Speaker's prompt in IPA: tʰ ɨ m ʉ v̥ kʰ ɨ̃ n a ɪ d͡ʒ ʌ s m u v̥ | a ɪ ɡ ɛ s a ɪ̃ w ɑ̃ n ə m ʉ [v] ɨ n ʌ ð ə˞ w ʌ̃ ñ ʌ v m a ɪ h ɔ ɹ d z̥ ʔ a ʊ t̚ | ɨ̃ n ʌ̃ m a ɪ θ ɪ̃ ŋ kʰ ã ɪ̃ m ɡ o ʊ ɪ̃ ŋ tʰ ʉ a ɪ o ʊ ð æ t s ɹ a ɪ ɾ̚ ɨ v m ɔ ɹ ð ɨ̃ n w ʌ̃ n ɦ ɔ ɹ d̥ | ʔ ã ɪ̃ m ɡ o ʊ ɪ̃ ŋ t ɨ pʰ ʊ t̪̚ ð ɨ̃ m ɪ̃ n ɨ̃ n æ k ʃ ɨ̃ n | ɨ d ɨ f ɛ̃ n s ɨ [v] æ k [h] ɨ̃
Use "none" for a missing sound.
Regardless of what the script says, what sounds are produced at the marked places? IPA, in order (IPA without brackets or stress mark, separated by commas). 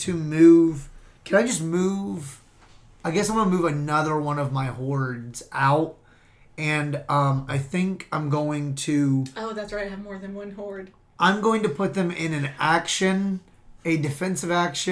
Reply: v, v, ʃ